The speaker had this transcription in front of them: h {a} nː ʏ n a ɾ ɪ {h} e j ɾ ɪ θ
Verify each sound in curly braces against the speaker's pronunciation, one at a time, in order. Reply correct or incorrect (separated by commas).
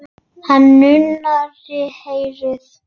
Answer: correct, correct